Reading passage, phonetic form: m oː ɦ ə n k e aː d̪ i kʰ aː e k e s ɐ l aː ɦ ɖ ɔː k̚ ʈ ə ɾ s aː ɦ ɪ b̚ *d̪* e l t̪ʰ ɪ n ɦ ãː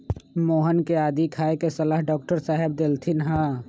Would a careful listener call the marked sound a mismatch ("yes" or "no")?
no